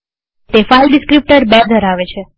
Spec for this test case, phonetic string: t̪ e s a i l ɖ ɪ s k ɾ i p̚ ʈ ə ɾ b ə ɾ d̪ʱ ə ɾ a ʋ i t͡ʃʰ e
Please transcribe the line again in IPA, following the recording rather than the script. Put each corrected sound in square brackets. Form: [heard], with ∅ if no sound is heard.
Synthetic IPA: t̪ e [f] a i l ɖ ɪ s k ɾ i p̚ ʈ ə ɾ b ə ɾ d̪ʱ ə ɾ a ʋ [e] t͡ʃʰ e